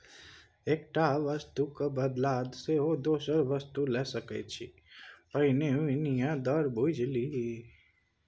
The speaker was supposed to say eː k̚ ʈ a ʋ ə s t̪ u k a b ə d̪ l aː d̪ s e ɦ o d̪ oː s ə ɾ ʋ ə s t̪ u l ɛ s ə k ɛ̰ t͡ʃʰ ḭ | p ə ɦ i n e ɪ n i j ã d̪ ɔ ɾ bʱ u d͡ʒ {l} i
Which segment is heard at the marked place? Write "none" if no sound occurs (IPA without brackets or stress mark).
l